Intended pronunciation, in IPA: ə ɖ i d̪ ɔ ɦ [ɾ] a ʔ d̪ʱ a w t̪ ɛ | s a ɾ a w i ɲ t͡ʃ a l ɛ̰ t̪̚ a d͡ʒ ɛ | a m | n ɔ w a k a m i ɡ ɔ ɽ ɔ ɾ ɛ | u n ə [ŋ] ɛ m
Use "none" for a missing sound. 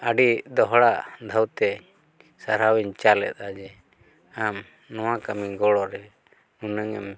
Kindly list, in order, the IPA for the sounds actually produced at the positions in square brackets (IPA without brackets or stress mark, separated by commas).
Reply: ɽ, ŋ